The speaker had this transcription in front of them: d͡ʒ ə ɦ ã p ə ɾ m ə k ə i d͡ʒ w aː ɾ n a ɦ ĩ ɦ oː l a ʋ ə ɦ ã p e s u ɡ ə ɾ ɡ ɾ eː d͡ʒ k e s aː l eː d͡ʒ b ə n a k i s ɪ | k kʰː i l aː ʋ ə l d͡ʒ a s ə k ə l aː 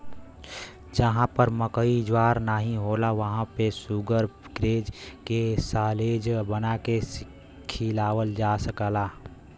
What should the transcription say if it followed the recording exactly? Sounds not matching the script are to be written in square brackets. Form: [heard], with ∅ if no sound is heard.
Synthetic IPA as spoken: d͡ʒ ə ɦ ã p ə ɾ m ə k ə i d͡ʒ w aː ɾ n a ɦ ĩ ɦ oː l a ʋ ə ɦ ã p e s u ɡ ə ɾ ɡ ɾ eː d͡ʒ k e s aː l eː d͡ʒ b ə n a k [e] s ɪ | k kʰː i l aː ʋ ə l d͡ʒ a s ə k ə l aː